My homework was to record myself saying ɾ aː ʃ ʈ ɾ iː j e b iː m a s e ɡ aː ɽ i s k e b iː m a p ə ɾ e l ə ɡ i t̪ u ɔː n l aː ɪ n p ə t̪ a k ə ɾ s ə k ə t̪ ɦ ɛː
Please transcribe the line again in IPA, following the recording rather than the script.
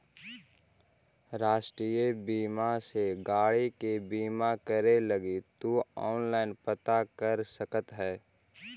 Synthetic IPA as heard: ɾ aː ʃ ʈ ɾ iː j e b iː m a s e ɡ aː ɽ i k e b iː m a k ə ɾ e l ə ɡ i t̪ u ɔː n l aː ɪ n p ə t̪ a k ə ɾ s ə k ə t̪ ɦ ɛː